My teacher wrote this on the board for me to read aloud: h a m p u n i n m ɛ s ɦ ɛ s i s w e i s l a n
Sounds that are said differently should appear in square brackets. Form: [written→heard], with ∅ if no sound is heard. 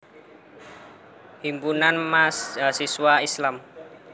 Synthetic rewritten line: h [a→i] m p u n [i→a] n m [ɛ→a] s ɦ [ɛ→a] s i s w [e→a] i s l a [n→m]